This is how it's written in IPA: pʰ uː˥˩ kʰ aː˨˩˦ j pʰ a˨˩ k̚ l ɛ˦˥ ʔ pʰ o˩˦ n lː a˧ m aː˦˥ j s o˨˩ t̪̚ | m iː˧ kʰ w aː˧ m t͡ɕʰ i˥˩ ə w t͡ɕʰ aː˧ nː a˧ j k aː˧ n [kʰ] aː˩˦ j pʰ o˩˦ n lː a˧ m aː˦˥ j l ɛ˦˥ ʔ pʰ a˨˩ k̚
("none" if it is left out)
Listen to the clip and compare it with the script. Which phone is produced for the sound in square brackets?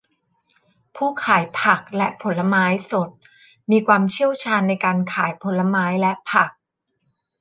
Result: kʰ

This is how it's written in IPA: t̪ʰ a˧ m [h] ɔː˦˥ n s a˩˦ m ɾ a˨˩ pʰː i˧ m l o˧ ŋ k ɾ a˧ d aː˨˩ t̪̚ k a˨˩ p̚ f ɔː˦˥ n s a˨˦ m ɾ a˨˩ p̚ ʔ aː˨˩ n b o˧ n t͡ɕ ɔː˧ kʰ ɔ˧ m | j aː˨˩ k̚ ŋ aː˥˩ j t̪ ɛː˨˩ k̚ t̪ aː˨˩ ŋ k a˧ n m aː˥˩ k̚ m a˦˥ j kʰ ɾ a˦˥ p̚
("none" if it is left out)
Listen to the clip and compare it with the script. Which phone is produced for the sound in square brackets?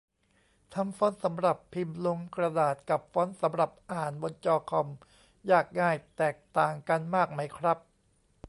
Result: f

